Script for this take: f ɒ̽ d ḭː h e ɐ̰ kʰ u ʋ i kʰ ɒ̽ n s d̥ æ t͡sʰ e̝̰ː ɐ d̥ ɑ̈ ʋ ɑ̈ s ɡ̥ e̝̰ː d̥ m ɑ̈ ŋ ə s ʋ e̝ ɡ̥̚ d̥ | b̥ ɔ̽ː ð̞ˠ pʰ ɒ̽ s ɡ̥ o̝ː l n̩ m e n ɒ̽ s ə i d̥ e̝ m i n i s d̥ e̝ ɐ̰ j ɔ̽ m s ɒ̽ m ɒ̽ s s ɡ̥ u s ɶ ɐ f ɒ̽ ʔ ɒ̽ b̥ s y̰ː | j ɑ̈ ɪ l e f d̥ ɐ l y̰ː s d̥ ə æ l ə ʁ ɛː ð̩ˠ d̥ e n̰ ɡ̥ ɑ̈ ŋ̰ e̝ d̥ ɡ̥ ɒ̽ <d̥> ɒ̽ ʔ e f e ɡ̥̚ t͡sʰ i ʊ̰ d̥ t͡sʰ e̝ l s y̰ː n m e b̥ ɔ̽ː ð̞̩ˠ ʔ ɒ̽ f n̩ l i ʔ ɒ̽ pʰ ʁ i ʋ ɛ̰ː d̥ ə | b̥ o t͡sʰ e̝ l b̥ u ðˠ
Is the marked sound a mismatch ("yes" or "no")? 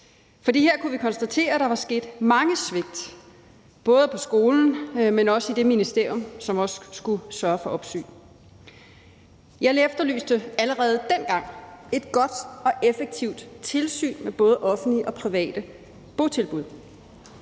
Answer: no